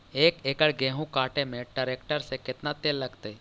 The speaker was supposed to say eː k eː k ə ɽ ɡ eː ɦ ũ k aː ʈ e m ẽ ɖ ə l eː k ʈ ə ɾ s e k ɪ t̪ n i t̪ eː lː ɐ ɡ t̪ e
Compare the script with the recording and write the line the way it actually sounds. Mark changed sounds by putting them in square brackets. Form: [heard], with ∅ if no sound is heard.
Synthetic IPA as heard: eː k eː k ə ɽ ɡ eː ɦ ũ k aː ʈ e m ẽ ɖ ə [ɾ] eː k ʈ ə ɾ s e k ɪ t̪ n [a] t̪ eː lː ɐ ɡ t̪ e